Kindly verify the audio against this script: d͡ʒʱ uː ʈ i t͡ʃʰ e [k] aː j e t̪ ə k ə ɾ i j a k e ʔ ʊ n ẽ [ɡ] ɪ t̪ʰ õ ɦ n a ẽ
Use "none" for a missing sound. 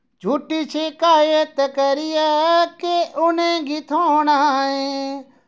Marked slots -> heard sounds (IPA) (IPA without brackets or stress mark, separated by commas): k, ɡ